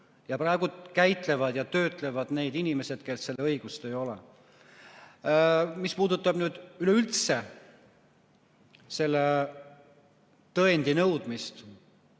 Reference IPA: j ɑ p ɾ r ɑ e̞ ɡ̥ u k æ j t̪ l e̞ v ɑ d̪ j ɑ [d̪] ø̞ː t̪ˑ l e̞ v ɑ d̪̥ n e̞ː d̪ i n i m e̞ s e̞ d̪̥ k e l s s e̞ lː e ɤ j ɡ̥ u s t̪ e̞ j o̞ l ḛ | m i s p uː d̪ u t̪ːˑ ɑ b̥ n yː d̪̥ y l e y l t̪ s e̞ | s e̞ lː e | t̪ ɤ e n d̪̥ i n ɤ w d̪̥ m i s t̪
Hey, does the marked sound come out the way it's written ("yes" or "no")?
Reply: no